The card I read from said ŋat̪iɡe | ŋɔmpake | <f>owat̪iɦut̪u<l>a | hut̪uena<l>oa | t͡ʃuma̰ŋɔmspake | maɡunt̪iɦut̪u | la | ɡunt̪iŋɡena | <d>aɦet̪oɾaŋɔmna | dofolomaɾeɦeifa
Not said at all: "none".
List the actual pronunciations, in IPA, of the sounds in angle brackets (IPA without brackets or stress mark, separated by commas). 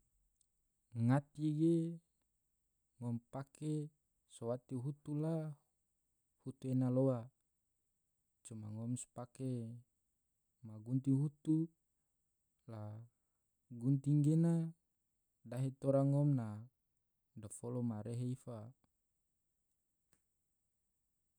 s, l, l, d